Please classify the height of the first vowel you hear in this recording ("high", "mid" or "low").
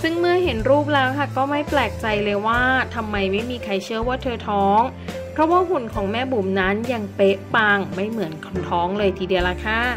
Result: high